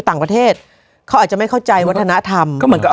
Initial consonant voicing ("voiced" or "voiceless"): voiceless